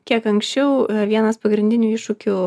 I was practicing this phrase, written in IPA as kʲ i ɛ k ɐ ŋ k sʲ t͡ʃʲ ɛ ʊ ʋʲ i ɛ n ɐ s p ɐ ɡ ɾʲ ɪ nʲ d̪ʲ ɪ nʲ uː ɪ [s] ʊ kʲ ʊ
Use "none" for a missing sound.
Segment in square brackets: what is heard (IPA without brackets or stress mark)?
ʃ